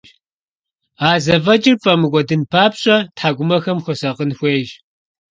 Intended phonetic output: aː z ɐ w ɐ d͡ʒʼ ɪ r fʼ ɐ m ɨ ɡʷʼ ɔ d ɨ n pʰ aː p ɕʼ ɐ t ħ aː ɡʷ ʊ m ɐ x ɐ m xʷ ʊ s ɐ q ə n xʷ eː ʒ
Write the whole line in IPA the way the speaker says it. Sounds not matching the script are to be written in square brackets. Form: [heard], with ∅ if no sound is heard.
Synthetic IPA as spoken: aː z ɐ [v] ɐ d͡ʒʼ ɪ r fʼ ɐ m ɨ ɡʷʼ ɔ d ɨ n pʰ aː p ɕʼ ɐ t ħ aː ɡʷ ʊ m ɐ x ɐ m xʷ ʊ s ɐ q ə n xʷ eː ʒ